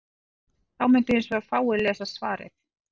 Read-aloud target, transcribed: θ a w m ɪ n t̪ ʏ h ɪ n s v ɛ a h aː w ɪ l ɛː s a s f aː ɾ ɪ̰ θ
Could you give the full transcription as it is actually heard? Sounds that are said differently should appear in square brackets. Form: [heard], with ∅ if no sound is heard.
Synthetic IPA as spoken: θ a w m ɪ n t̪ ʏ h ɪ n s v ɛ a [f] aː w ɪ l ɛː s a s [v] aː ɾ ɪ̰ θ